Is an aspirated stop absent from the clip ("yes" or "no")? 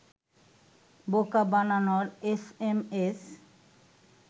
yes